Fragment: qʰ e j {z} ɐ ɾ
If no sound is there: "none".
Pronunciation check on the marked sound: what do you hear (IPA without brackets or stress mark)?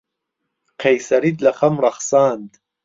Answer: s